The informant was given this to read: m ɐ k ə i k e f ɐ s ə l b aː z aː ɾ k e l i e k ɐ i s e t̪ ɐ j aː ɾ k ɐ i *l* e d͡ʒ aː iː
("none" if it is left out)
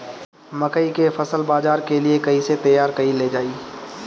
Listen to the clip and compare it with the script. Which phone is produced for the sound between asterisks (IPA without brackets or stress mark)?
l